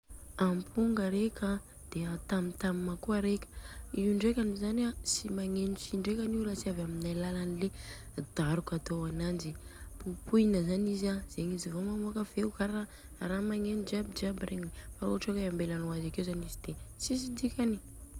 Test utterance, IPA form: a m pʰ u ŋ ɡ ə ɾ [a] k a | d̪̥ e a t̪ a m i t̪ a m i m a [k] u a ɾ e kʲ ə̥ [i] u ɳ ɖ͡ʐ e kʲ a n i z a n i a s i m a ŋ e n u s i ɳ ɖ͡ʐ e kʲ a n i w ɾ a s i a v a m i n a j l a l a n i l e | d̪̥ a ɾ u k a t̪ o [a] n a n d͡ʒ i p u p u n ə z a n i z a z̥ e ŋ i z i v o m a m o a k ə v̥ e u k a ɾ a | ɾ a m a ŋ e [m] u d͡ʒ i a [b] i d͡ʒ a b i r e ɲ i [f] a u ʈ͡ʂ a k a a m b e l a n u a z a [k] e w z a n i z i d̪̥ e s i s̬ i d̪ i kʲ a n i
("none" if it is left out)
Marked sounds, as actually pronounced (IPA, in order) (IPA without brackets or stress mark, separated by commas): e, k, i, a, n, b, f, k